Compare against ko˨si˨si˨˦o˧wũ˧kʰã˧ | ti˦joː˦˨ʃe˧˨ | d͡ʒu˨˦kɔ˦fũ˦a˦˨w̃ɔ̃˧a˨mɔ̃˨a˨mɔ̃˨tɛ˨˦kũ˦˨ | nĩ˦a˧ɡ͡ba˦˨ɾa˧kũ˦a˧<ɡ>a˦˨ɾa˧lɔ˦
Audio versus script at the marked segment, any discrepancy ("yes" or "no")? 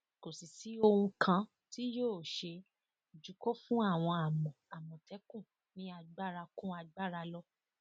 yes